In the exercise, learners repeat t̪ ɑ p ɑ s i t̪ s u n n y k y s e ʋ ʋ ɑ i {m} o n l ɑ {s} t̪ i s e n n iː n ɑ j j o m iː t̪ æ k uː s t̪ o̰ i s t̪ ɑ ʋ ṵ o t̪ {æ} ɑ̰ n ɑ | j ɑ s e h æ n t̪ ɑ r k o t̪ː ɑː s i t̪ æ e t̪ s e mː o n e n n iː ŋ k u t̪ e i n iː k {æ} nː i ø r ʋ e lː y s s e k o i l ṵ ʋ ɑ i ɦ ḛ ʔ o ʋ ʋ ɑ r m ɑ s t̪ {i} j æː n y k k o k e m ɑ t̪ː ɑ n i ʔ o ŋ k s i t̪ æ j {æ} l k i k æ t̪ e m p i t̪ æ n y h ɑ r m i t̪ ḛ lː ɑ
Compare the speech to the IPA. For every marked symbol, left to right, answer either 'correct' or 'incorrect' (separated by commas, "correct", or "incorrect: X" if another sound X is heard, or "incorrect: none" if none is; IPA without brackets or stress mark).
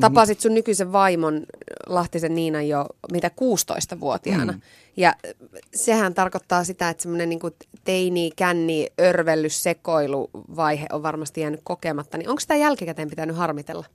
correct, incorrect: h, incorrect: i, correct, correct, correct